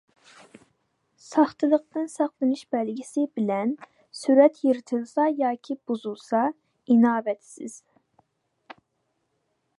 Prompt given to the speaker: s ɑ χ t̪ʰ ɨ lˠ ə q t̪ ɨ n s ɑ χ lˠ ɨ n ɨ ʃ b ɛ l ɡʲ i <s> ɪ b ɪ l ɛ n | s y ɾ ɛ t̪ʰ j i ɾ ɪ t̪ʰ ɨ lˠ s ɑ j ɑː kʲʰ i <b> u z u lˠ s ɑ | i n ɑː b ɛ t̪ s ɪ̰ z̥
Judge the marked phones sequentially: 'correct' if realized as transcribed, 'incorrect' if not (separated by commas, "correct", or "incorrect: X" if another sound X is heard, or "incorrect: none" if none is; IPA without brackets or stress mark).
correct, correct